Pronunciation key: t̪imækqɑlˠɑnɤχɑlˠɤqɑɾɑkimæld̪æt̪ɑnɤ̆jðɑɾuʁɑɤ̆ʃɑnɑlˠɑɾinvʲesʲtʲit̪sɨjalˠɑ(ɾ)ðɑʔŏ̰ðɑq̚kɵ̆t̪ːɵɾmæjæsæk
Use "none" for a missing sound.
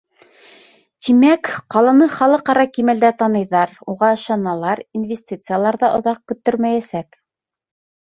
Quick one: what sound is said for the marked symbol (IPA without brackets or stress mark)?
ɾ